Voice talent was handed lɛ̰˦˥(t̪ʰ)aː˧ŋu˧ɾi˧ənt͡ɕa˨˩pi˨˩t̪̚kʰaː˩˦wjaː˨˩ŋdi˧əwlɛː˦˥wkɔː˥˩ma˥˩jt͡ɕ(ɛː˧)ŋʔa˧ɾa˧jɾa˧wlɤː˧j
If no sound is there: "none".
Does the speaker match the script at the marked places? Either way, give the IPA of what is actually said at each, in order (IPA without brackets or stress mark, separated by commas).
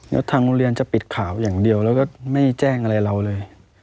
t̪ʰ, ɛː˥˩